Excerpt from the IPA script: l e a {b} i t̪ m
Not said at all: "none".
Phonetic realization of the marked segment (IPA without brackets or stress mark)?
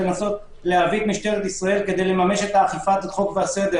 v